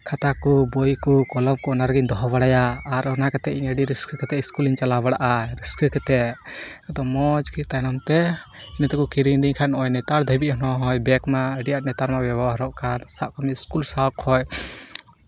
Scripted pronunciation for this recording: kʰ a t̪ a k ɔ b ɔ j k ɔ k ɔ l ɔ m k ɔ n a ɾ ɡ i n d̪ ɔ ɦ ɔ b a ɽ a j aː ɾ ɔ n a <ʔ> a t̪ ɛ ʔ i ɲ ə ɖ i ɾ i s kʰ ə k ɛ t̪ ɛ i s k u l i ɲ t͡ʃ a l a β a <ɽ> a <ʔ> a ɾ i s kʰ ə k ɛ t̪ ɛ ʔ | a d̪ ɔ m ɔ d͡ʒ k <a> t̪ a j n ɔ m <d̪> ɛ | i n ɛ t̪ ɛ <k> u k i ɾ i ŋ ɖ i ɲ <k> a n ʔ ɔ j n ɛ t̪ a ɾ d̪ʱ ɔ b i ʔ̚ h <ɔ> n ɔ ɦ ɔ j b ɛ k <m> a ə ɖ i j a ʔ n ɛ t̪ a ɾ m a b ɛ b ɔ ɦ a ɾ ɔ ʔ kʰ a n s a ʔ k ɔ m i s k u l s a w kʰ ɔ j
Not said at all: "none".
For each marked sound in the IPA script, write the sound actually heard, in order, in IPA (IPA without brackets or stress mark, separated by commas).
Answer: k, ɽ, ʔ, i, t̪, k, kʰ, ɔ, m